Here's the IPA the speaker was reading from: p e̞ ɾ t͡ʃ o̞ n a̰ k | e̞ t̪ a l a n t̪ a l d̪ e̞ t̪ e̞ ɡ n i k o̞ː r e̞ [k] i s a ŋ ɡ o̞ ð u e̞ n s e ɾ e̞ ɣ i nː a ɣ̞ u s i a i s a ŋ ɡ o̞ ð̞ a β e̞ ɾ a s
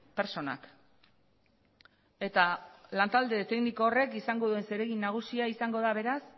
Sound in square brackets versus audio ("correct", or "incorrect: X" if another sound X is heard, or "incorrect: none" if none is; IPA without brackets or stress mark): correct